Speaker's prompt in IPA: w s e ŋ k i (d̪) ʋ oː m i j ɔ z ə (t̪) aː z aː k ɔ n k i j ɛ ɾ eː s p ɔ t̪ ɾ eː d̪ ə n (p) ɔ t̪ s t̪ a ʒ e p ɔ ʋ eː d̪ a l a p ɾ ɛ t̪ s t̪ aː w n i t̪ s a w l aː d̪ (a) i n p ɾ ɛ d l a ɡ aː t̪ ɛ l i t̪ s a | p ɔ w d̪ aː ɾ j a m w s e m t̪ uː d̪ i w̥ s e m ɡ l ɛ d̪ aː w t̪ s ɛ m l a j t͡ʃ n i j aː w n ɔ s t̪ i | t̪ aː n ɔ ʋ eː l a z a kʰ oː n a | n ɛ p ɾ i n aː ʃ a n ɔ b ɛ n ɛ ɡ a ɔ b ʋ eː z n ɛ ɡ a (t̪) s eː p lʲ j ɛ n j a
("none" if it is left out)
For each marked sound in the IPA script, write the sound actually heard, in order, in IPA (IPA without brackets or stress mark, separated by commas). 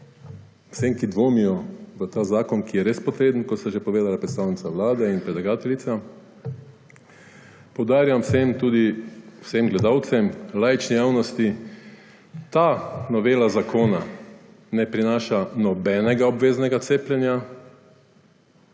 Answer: d̪, t̪, k, ɛ, t̪